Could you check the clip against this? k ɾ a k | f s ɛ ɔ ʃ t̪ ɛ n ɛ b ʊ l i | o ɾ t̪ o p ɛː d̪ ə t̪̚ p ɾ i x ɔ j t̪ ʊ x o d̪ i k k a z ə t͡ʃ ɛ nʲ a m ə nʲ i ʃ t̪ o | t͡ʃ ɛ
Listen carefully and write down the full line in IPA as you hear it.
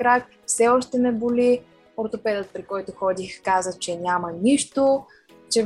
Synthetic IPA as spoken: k ɾ a k | f s ɛ ɔ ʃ t̪ ɛ n ɛ b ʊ l i | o ɾ t̪ o p ɛ d̪ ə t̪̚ p ɾ i k ɔ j t̪ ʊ x ɔ d̪ i x k a z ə t͡ʃ ɛ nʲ a m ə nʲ i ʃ t̪ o | t͡ʃ ɛ